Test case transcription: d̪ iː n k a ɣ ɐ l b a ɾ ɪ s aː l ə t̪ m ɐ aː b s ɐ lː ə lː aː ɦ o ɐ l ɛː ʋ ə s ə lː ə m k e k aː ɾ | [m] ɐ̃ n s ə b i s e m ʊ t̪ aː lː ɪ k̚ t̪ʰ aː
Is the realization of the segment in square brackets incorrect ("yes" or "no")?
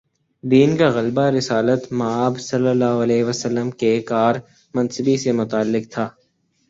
no